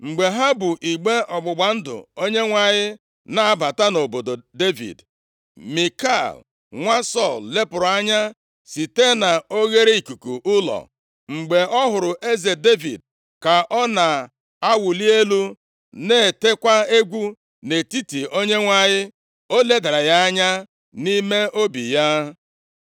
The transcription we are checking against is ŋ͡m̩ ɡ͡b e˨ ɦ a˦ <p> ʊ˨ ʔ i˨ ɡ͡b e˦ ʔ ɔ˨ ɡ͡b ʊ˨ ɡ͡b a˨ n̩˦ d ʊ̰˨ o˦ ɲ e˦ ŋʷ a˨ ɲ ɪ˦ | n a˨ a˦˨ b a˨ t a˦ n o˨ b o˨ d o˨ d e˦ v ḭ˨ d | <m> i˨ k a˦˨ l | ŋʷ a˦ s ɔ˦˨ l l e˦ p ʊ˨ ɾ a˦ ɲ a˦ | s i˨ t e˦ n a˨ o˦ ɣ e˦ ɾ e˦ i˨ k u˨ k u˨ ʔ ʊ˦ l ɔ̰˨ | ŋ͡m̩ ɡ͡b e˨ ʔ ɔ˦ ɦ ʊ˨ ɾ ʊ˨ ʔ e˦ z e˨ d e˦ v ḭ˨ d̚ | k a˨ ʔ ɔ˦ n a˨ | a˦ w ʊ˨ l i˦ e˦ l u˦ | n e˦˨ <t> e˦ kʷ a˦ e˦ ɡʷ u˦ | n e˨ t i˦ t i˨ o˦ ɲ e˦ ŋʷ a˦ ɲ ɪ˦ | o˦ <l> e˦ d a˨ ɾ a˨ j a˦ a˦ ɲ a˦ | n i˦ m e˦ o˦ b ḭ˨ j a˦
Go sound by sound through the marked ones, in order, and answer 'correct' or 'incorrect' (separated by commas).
incorrect, correct, correct, correct